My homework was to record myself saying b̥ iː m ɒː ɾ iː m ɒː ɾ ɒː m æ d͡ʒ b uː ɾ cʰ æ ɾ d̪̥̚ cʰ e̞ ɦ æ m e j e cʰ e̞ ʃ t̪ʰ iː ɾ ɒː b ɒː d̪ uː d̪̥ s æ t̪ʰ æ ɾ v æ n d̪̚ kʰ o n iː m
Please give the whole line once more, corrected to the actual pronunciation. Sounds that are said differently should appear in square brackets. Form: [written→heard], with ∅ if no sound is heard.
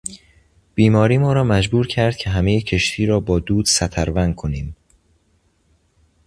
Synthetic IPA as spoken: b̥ iː m ɒː ɾ iː m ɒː ɾ ɒː m æ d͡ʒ b uː ɾ cʰ æ ɾ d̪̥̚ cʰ e̞ ɦ æ m e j e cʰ e̞ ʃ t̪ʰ iː ɾ ɒː b ɒː d̪ uː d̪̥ s æ t̪ʰ æ ɾ v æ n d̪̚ kʰ o n iː m